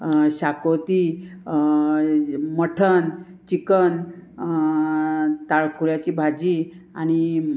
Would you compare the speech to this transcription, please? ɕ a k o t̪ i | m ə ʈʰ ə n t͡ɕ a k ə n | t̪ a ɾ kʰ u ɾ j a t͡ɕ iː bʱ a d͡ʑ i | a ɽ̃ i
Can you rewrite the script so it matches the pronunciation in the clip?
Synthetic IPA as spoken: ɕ a k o t̪ i | m ə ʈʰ ə n t͡ɕ i k ə n | t̪ a ɭ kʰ u ɭ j a t͡ɕ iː bʱ a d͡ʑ i | a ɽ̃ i